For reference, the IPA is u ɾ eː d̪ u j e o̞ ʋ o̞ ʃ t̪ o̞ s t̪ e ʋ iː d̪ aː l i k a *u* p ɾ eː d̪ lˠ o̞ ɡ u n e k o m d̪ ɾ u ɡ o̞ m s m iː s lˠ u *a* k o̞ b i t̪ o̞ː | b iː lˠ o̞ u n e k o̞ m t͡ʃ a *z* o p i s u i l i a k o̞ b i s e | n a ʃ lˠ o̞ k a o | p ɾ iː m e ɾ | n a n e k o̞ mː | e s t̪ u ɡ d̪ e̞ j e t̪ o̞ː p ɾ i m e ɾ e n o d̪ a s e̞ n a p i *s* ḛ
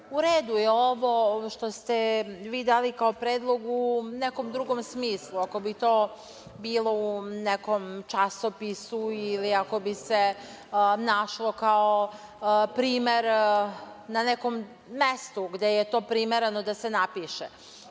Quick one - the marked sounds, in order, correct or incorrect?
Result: incorrect: o, correct, incorrect: s, incorrect: ʃ

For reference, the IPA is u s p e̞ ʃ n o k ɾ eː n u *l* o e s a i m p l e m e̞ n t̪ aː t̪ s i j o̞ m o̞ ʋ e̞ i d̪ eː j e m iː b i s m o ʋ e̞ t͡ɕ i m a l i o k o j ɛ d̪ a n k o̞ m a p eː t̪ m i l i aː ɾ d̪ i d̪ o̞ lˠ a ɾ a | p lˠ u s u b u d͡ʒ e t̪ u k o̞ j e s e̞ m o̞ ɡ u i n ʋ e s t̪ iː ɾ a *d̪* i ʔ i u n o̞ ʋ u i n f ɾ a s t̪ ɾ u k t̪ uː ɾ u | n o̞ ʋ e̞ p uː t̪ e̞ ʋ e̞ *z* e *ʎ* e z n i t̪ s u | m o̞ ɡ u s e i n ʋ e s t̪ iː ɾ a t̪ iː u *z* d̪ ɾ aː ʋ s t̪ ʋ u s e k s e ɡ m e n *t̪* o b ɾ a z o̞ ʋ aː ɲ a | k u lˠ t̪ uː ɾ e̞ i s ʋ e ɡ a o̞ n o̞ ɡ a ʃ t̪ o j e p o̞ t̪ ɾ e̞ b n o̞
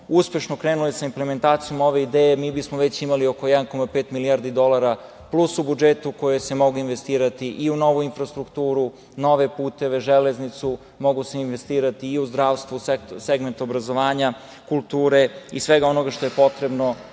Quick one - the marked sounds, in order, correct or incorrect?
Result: correct, incorrect: t̪, incorrect: ʒ, incorrect: l, correct, correct

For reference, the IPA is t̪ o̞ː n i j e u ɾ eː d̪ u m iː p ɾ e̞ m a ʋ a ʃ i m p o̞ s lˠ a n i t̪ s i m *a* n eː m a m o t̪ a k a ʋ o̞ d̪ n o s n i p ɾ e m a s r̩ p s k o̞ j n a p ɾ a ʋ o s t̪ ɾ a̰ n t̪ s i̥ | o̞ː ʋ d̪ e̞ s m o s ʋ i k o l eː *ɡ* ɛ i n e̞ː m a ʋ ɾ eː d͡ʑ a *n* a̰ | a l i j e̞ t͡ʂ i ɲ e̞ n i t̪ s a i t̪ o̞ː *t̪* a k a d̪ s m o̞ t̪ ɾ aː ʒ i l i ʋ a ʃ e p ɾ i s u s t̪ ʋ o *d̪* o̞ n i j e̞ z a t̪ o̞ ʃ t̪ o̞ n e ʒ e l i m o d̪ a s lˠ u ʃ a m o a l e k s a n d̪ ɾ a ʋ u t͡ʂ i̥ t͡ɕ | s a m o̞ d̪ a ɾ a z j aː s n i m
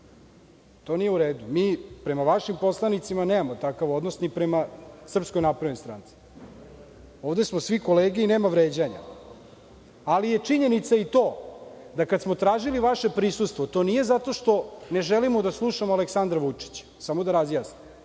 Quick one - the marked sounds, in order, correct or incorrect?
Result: correct, correct, incorrect: ɲ, incorrect: d̪, incorrect: t̪

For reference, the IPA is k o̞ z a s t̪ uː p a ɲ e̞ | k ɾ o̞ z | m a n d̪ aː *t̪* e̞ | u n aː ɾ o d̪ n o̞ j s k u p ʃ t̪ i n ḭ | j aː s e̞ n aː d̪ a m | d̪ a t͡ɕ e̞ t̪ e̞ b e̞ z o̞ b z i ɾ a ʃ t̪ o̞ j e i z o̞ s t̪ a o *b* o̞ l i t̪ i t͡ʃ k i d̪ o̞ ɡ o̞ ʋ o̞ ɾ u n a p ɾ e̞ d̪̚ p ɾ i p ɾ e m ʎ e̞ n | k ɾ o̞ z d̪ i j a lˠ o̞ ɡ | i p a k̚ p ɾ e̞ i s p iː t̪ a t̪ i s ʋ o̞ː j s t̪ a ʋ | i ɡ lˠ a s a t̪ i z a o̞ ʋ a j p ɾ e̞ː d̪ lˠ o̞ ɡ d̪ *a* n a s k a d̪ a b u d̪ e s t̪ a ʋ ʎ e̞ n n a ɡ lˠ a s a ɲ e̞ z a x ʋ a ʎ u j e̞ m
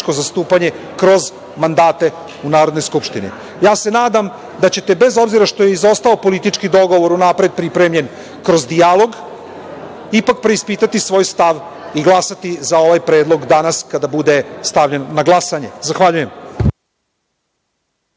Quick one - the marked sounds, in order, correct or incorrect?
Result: correct, incorrect: p, correct

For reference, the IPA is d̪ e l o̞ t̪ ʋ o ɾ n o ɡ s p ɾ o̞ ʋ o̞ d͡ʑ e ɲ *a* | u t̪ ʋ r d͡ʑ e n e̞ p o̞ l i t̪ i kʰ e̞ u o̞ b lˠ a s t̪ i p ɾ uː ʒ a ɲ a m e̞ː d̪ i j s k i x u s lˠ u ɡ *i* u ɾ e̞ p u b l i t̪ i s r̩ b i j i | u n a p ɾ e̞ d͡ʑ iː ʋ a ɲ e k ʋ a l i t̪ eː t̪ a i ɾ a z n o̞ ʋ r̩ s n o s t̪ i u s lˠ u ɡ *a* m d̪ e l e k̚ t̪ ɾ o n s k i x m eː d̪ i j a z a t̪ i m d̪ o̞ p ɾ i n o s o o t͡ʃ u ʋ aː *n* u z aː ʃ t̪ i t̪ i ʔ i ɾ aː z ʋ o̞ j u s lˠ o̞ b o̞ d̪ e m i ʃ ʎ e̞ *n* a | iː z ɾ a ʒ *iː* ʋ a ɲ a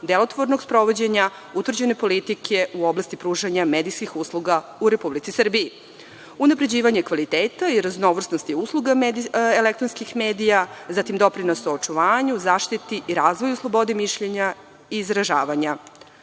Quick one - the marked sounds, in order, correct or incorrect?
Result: correct, incorrect: a, correct, incorrect: ɲ, incorrect: ɲ, incorrect: aː

